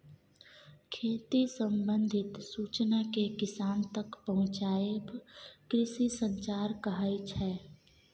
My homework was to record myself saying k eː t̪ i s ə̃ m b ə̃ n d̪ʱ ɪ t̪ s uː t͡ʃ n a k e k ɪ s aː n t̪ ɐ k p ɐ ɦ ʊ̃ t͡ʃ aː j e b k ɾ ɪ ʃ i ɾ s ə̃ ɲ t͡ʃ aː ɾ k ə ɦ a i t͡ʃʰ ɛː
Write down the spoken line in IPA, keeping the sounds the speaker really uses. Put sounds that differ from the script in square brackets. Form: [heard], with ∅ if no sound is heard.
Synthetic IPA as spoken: [kʰ] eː t̪ i s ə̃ m b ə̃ n d̪ʱ ɪ t̪ s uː t͡ʃ n a k e k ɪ s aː n t̪ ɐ k p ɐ ɦ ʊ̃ t͡ʃ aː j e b k ɾ ɪ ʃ i [∅] s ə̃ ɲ t͡ʃ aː ɾ k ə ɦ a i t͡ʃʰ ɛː